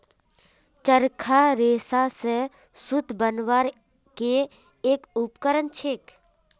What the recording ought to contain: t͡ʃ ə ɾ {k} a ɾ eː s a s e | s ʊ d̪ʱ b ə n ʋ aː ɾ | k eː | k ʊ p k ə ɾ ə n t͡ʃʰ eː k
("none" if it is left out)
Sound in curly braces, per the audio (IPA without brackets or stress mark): kʰ